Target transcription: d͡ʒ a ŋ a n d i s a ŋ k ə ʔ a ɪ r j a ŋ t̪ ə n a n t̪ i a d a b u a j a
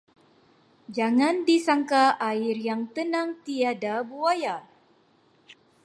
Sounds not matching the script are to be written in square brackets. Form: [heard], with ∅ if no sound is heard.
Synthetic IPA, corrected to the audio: d͡ʒ a ŋ a n d i s a ŋ k [a] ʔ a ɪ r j a ŋ t̪ ə n a [ŋ] t̪ i a d a b u a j a